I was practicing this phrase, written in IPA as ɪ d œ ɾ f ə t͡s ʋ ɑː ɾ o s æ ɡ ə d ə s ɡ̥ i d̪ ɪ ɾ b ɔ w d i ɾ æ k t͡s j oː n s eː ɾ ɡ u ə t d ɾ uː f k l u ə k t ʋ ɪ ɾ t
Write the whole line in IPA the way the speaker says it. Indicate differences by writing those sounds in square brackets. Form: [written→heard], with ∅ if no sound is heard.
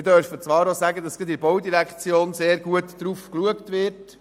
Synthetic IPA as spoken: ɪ d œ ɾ f ə t͡s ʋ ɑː ɾ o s æ ɡ ə d [ə→ɑ] s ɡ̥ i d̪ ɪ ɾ b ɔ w d i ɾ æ k t͡s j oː n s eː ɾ ɡ u ə t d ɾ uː f k l u ə k t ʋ ɪ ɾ t